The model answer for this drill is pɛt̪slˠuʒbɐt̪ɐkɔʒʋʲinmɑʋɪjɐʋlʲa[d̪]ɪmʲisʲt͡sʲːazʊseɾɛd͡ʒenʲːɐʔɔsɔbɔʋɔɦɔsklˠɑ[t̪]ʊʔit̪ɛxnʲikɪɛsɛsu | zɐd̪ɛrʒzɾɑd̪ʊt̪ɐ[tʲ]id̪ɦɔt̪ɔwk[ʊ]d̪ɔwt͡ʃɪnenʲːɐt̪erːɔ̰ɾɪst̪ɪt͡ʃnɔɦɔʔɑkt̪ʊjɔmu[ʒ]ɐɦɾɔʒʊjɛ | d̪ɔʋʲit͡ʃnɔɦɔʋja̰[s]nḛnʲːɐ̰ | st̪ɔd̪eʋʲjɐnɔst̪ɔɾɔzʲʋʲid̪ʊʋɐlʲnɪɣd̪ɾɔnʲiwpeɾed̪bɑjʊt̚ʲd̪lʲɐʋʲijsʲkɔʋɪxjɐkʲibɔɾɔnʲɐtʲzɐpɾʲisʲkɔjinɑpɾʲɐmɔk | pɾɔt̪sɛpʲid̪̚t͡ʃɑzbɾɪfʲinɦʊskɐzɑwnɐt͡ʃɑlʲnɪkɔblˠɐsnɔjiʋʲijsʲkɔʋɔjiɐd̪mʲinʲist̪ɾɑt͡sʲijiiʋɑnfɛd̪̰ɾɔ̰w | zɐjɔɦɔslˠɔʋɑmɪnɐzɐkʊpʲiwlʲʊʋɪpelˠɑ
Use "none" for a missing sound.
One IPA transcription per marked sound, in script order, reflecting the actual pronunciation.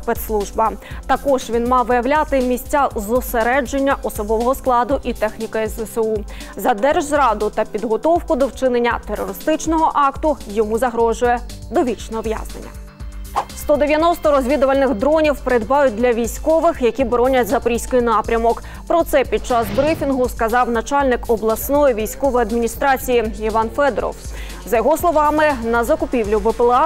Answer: t̪, d̪, pʲ, ʊ, z, z

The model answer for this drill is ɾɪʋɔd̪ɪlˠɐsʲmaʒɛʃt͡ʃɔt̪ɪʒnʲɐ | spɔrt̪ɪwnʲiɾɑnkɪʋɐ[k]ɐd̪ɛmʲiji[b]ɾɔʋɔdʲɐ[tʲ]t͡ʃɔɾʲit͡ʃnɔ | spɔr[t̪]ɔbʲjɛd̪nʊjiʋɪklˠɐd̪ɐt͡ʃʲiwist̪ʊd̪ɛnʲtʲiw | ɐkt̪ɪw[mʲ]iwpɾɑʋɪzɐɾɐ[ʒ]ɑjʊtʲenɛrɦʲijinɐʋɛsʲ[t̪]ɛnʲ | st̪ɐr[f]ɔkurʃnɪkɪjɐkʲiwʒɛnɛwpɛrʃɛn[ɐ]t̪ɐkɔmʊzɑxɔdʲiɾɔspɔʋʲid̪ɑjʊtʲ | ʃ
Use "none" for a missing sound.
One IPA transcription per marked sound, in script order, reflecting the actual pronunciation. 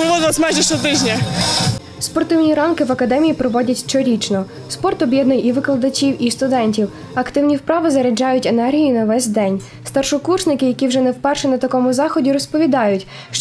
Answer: k, p, tʲ, t̪, nʲ, d͡ʒ, d̪, ʃ, ɐ

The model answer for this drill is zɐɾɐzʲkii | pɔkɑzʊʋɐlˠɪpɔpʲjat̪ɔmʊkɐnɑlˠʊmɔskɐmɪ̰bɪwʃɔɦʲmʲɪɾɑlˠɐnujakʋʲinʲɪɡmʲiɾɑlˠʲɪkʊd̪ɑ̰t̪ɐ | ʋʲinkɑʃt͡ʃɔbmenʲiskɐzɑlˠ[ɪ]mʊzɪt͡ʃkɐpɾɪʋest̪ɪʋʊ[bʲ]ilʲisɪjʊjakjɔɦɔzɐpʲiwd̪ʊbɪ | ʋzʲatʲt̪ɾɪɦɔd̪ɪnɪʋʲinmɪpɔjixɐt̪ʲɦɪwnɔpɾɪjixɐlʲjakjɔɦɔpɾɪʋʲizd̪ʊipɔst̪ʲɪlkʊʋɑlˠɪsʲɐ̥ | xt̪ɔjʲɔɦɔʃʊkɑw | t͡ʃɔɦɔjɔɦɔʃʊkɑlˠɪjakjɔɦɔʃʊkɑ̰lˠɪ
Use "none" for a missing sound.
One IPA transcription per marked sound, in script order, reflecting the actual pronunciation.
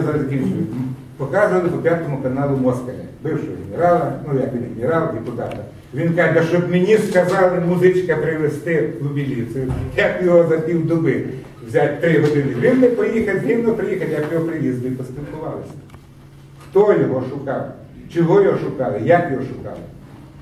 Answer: ɪ, bʲ

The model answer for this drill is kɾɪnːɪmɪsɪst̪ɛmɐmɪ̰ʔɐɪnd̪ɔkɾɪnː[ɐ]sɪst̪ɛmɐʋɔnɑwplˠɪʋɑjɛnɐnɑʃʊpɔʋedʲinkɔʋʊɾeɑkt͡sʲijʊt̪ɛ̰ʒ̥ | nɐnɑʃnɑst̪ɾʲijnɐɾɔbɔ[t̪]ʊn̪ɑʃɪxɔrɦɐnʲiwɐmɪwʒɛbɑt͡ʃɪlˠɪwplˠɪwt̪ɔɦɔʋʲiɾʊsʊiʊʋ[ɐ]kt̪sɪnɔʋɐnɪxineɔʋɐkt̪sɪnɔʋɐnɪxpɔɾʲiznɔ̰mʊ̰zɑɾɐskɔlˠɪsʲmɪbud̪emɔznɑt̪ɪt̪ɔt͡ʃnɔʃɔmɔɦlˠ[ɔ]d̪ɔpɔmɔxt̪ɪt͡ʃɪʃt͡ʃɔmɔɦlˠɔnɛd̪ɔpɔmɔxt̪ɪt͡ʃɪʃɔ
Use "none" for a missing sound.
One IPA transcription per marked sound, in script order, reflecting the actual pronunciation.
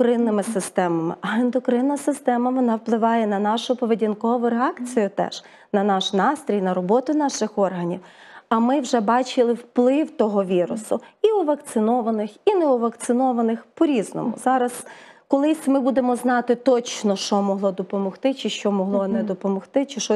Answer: ɐ, t̪, ɐ, ɔ

